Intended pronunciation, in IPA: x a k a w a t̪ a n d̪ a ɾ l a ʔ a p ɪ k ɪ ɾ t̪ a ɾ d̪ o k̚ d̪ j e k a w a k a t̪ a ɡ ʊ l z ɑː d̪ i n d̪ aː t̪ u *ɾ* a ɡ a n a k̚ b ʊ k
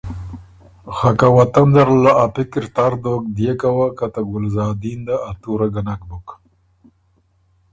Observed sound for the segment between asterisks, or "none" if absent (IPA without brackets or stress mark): ɾ